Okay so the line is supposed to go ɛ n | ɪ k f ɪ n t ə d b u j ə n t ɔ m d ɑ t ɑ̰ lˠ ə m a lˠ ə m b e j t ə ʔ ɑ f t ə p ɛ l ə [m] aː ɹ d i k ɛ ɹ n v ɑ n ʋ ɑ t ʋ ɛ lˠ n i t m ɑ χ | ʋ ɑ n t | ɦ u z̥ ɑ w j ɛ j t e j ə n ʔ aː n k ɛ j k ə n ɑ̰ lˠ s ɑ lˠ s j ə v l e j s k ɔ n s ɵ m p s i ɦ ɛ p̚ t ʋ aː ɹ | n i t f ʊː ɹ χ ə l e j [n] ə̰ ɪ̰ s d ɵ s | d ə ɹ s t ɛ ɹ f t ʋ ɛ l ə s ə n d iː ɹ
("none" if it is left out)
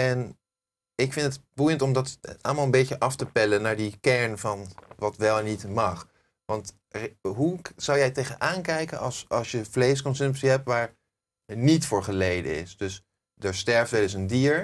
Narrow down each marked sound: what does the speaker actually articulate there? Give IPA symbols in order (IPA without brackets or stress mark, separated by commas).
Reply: n, d